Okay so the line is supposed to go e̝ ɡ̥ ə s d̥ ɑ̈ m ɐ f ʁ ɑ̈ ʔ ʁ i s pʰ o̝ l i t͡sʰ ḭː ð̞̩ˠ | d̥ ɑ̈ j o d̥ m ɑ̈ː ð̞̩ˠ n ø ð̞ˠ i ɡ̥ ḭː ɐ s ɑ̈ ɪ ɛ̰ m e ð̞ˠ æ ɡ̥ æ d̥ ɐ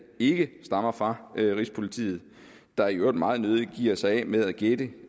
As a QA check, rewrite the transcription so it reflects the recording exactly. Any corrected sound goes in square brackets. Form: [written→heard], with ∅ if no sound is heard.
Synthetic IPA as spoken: e̝ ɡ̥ ə s d̥ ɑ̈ m ɐ f ʁ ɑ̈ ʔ ʁ i s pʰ o̝ l i t͡sʰ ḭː ð̞̩ˠ | d̥ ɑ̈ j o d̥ m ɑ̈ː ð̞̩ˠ n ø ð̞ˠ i ɡ̥ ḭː ɐ s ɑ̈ ɪ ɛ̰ m e ð̞ˠ æ ɡ̥ [æ→e] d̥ [ɐ→ə]